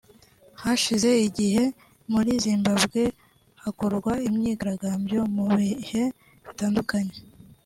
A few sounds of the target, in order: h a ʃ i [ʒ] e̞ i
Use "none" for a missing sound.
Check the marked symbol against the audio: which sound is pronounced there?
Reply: z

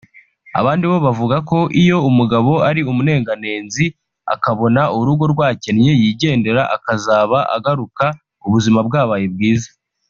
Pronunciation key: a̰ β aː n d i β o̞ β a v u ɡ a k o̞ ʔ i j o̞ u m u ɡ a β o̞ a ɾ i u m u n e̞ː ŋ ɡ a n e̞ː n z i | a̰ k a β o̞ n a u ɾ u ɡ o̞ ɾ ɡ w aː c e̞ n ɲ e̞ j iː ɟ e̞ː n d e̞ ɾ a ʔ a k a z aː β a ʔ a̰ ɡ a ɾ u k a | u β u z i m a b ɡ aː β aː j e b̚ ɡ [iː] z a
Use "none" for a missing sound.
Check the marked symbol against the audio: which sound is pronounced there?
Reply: iː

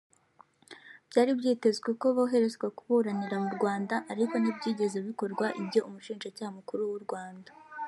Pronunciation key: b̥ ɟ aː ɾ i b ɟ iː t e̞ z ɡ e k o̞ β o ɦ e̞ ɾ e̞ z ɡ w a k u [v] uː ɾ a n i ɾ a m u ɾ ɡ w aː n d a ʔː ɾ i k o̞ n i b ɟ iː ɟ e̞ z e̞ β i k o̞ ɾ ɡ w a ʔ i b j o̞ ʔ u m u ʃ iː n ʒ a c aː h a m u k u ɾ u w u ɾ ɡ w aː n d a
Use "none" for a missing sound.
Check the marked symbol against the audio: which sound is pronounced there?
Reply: β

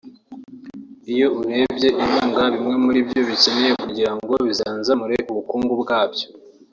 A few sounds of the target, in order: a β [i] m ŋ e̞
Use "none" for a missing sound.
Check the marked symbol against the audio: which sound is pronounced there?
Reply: i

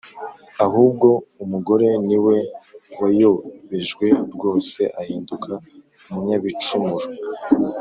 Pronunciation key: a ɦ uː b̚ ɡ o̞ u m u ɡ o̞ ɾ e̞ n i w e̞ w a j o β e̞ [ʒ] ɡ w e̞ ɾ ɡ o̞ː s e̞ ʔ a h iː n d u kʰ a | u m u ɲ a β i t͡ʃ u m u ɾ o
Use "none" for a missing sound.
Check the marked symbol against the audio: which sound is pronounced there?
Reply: ʒ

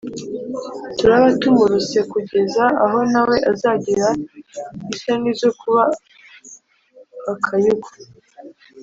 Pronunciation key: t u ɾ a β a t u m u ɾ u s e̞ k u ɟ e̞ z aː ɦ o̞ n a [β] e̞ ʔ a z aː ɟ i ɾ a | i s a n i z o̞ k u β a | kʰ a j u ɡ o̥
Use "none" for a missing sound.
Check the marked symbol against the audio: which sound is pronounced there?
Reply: w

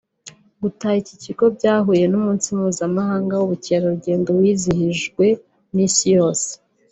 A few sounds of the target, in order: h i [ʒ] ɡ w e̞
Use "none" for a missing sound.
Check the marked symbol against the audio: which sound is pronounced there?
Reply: ʒ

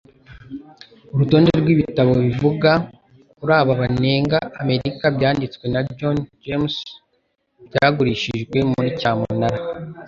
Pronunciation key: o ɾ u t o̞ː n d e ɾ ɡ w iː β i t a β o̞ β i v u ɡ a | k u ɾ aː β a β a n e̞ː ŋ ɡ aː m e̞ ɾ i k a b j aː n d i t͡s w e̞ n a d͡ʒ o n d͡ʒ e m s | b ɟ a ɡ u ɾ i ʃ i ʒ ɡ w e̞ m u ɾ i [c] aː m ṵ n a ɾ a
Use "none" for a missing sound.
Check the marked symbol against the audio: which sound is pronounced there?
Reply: c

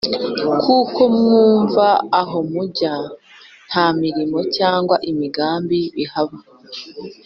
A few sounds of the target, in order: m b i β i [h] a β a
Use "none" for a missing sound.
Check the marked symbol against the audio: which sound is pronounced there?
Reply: h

